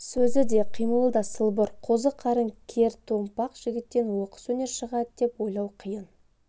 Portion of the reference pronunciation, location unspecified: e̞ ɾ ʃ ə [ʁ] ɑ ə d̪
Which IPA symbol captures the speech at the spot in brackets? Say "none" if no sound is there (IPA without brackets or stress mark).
ʁ